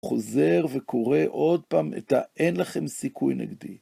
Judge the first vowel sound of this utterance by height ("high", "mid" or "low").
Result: mid